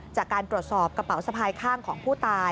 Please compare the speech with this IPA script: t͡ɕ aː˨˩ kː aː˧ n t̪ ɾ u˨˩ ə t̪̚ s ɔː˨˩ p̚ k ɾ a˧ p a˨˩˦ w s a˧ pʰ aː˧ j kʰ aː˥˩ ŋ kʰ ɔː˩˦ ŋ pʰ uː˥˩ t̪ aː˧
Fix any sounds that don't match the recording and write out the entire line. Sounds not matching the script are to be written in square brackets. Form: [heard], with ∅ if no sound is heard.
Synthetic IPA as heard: t͡ɕ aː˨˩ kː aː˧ n t̪ ɾ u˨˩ ə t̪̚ s ɔː˨˩ p̚ k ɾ a˧ p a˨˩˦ w s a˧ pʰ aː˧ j kʰ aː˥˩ ŋ kʰ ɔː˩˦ ŋ pʰ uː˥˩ t̪ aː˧

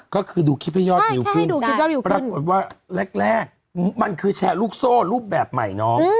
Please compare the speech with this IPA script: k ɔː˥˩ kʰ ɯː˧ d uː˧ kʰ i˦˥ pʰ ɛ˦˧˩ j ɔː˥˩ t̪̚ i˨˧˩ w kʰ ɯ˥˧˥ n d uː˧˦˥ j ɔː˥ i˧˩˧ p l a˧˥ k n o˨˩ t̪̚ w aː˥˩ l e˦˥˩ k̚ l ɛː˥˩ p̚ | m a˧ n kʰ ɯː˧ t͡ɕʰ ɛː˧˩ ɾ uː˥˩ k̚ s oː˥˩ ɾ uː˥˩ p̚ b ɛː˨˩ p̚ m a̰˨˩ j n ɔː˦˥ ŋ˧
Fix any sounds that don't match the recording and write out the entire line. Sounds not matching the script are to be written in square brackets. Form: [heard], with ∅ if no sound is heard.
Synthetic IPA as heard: k ɔː˥˩ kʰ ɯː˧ d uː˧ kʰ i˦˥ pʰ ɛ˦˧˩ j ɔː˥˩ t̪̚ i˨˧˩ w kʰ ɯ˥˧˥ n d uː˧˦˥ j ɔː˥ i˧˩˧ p [ɾ] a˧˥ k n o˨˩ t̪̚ w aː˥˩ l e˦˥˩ k̚ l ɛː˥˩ [k̚] | m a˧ n kʰ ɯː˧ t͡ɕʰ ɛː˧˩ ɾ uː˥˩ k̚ s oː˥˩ ɾ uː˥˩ p̚ b ɛː˨˩ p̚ m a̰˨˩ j n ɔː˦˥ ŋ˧

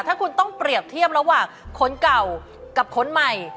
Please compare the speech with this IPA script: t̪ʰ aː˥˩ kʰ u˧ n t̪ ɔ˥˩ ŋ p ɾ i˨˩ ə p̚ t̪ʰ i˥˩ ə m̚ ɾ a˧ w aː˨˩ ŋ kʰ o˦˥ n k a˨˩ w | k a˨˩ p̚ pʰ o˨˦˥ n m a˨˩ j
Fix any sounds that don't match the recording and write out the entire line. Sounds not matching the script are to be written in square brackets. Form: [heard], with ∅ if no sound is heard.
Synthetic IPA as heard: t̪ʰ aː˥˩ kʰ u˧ n t̪ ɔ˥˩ ŋ p ɾ i˨˩ ə p̚ t̪ʰ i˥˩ ə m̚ ɾ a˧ w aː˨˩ ŋ kʰ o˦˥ n k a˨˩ w | k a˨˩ p̚ [kʰ] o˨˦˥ n m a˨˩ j

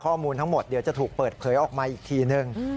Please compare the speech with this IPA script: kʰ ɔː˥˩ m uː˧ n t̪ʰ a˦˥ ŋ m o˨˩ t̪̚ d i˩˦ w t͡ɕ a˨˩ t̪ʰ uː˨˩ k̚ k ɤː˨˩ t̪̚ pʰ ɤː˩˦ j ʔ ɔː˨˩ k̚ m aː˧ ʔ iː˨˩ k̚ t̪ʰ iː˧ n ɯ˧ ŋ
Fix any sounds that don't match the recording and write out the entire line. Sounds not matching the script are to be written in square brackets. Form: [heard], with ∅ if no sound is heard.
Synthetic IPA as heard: kʰ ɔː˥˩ m uː˧ n t̪ʰ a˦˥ ŋ m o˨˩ t̪̚ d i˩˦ w t͡ɕ a˨˩ t̪ʰ uː˨˩ k̚ [p] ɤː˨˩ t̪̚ pʰ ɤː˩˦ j ʔ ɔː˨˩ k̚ m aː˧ ʔ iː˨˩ k̚ t̪ʰ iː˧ n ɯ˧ ŋ

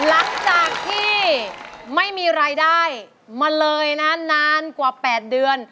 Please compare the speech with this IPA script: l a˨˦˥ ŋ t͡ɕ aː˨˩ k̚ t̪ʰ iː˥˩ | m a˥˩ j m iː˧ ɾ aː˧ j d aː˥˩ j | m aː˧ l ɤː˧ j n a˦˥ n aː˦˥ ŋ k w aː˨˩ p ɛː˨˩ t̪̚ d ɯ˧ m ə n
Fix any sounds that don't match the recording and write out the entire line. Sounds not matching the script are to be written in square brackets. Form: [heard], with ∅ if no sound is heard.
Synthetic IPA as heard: l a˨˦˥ ŋ t͡ɕ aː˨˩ k̚ t̪ʰ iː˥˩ | m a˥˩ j m iː˧ ɾ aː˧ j d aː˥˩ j | m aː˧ l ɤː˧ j n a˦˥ n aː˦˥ [n] k w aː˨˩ p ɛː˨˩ t̪̚ d ɯ˧ [∅] ə n

